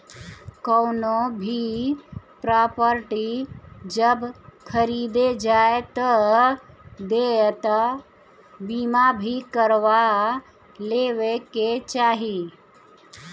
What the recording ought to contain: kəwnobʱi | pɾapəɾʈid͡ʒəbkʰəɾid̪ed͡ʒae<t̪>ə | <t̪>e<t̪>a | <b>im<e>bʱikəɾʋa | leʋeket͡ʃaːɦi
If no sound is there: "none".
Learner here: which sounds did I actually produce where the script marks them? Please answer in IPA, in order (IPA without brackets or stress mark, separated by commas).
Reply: t̪, d̪, t̪, b, a